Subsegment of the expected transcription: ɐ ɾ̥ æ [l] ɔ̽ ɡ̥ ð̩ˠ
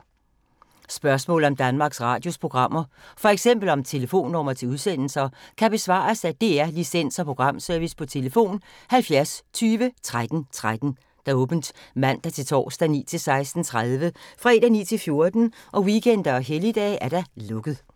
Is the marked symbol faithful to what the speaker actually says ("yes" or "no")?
yes